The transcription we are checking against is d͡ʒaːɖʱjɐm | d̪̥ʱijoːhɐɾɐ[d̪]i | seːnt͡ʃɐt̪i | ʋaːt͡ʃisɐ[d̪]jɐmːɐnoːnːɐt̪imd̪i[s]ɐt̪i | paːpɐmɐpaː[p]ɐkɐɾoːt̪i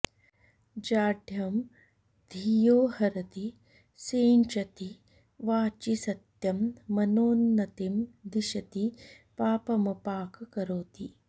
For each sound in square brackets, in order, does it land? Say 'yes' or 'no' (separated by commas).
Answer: no, no, no, no